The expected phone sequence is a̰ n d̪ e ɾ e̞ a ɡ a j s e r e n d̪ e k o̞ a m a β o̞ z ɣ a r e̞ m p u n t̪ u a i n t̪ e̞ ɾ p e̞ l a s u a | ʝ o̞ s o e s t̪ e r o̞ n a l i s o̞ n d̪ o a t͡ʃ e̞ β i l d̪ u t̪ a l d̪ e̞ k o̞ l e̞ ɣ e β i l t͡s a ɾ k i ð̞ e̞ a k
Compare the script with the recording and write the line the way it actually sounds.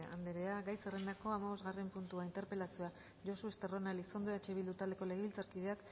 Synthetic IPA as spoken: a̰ n d̪ e ɾ e̞ a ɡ a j s e r e n d̪ a k o̞ a m a β o̞ z ɣ a r e̞ m p u n t̪ u a i n t̪ e̞ ɾ p e̞ l a s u a | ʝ o̞ s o e s t̪ e r o̞ n a l i s o̞ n d̪ o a t͡ʃ e̞ β i l d̪ u t̪ a l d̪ e̞ k o̞ l e̞ ɣ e β i l t͡s a ɾ k i ð̞ e̞ a k